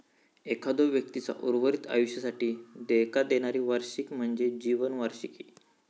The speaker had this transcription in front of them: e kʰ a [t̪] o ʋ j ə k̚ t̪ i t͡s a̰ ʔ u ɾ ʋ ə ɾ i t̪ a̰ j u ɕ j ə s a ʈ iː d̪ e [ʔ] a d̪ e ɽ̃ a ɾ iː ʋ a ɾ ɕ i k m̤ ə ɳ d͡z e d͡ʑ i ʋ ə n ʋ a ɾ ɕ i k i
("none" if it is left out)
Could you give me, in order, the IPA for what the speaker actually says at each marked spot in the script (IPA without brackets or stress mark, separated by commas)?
d̪, k